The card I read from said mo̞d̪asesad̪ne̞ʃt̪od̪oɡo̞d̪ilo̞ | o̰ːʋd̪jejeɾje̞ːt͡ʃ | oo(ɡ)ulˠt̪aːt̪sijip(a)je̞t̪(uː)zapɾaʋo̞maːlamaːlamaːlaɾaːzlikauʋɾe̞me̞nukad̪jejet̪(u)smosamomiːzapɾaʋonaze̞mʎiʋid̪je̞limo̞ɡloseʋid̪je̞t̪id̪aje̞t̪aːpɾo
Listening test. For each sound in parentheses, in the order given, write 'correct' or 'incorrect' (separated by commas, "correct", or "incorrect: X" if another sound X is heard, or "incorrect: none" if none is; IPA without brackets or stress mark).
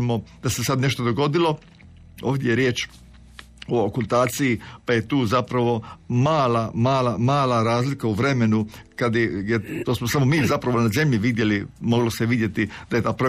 incorrect: k, correct, correct, incorrect: o